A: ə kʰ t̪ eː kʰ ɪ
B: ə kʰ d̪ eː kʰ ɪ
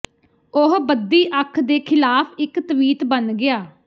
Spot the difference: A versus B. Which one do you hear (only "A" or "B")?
B